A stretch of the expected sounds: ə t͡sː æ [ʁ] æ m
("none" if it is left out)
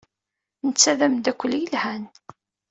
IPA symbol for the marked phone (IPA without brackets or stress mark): ð